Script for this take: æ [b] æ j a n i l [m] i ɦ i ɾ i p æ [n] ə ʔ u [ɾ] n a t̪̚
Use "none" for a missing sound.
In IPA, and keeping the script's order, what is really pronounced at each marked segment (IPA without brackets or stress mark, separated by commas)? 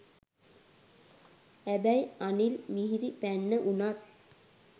b, m, nː, none